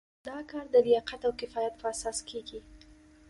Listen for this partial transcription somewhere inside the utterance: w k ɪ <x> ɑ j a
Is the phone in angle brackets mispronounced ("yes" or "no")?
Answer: yes